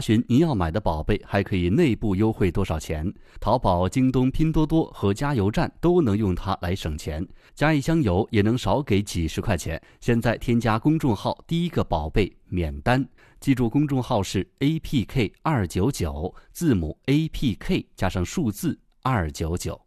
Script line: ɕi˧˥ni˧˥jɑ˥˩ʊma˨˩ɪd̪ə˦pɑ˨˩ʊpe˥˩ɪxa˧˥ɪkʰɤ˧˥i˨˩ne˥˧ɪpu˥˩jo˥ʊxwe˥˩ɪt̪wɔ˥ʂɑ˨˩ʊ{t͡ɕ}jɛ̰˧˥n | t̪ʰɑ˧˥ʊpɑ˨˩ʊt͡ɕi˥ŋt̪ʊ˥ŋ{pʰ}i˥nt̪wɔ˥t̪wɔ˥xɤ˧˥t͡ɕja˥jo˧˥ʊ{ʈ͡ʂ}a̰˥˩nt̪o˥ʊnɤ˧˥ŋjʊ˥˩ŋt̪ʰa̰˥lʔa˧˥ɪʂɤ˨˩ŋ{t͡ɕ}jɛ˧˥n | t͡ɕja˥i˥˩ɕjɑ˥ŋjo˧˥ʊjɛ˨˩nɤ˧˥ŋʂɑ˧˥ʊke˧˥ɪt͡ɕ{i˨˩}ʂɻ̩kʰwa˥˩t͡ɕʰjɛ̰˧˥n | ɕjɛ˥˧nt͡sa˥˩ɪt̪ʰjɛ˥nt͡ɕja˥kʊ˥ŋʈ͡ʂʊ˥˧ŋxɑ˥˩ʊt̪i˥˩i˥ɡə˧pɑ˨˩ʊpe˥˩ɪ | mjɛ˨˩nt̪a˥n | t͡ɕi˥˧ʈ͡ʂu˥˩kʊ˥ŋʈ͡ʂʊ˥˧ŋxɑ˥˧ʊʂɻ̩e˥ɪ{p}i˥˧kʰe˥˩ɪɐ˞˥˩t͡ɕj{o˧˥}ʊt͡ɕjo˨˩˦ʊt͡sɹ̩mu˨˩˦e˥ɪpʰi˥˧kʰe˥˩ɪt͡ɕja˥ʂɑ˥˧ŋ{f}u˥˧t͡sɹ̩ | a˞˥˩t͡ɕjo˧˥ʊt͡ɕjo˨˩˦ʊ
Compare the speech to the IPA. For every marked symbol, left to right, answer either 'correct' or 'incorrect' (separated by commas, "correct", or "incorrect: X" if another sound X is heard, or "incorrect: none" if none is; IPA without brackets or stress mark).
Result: incorrect: t͡ɕʰ, correct, correct, incorrect: t͡ɕʰ, correct, incorrect: pʰ, correct, incorrect: ʂ